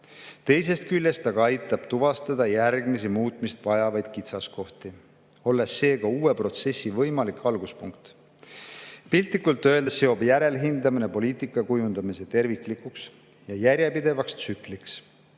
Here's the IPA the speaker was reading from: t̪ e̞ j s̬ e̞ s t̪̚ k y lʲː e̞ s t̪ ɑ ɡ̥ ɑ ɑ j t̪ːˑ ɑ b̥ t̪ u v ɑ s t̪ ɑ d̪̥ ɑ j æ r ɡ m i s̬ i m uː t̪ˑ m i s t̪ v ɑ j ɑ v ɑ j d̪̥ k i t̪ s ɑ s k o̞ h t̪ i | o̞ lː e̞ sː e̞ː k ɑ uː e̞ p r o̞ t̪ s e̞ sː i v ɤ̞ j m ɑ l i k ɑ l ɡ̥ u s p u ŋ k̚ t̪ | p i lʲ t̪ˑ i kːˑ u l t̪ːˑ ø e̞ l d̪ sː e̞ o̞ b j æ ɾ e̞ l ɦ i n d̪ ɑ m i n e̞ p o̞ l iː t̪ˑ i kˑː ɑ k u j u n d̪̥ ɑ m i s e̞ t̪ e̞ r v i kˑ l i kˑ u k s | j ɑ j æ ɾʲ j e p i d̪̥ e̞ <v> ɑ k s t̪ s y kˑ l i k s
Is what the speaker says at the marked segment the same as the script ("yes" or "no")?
yes